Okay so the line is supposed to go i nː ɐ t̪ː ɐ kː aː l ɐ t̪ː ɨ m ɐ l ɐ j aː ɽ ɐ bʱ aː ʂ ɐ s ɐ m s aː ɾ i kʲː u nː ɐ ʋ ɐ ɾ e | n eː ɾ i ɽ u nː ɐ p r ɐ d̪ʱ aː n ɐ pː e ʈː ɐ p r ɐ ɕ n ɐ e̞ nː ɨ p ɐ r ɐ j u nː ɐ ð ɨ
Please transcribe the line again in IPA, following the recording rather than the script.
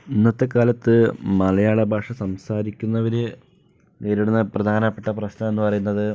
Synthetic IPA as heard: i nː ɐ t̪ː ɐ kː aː l ɐ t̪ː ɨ m ɐ l ɐ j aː ɭ ɐ bʱ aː ʂ ɐ s ɐ m s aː ɾ i kʲː u nː ɐ ʋ ɐ ɾ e | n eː ɾ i ɽ u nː ɐ p r ɐ d̪ʱ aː n ɐ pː e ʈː ɐ p r ɐ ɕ n ɐ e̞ nː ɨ p ɐ r ɐ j u nː ɐ ð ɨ

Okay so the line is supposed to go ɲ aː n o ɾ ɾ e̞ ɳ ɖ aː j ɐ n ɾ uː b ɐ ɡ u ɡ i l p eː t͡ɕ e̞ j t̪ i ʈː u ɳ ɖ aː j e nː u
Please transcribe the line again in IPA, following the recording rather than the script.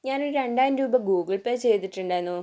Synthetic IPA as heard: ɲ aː n o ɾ ɾ e̞ ɳ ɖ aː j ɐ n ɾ uː b ɐ ɡ uː ɡ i ɭ p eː t͡ɕ e̞ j t̪ i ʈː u ɳ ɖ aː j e nː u

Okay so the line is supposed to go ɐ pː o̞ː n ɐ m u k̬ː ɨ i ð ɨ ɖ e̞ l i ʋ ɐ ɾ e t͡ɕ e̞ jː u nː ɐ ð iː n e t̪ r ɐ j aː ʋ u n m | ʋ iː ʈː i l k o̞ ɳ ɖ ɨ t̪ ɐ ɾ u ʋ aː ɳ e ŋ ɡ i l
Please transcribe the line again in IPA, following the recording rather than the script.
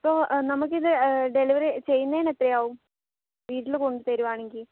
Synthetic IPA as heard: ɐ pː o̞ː n ɐ m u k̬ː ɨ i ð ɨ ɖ e̞ l i ʋ ɐ ɾ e t͡ɕ e̞ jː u nː ɐ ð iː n e t̪ r ɐ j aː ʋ u m | ʋ iː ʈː i l k o̞ ɳ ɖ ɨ t̪ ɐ ɾ u ʋ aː ɳ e ŋ ɡ i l

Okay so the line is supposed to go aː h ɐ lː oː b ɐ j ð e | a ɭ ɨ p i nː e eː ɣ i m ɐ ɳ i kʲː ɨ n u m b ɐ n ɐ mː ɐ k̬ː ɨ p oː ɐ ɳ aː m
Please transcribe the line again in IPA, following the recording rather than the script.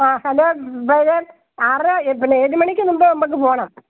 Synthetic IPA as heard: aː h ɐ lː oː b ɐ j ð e | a r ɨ p i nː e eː ð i m ɐ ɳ i kʲː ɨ n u m b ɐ n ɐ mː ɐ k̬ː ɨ p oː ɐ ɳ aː m

